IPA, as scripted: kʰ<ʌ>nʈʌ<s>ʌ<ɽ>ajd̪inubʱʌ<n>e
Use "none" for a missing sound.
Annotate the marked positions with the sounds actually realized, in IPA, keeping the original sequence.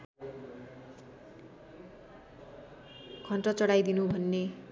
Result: ʌ, t͡s, ɽ, nː

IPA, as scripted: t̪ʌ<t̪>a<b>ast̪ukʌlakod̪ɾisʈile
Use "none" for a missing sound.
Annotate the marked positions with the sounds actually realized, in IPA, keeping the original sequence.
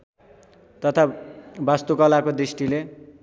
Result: t̪ʰ, b

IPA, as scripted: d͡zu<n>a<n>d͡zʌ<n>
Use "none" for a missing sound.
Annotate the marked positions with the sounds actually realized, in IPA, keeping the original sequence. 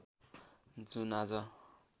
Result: n, none, none

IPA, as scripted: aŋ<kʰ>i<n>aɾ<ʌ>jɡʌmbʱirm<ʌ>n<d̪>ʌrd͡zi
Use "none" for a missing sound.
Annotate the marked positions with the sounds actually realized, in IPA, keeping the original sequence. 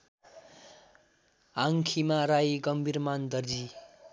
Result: kʰ, m, a, a, d̪

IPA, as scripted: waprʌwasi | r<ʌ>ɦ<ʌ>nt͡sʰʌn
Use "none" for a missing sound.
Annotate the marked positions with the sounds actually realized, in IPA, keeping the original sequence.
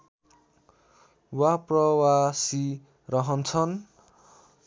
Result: ʌ, ʌ

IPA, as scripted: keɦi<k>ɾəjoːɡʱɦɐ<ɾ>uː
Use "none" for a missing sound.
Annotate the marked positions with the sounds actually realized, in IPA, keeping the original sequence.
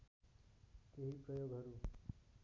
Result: p, ɾ

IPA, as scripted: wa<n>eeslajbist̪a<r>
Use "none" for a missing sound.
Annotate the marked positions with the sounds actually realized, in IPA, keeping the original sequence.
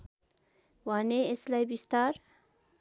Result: n, ɾ

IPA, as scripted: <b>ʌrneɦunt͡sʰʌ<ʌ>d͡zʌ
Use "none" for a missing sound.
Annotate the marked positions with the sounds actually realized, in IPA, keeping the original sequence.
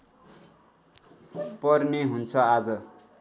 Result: p, a

